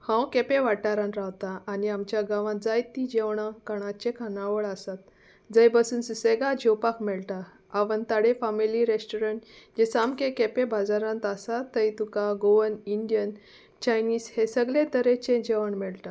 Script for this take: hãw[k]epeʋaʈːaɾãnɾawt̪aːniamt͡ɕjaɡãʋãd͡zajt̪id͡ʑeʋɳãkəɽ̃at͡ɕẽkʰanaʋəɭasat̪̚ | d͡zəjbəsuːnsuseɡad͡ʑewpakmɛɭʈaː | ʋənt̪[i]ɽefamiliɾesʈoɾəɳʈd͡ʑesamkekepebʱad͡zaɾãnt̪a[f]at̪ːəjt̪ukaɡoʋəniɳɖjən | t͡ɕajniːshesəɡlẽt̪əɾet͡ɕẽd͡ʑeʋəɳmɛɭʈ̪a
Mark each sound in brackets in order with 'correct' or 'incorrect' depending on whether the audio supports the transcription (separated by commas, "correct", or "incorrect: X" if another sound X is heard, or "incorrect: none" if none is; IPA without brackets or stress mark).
correct, incorrect: a, incorrect: s